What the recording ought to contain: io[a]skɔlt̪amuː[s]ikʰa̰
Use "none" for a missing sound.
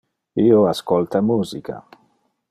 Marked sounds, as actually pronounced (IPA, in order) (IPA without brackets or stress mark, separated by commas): a, z